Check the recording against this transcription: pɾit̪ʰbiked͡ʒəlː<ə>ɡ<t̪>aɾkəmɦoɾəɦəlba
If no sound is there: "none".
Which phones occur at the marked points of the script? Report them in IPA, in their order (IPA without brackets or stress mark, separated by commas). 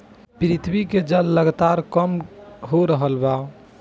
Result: ə, t̪